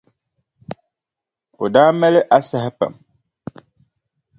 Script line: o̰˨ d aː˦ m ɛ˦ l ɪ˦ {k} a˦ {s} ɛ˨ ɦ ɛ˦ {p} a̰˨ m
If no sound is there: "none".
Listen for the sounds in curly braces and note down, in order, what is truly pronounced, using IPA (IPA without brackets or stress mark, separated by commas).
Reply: ʔ, s, p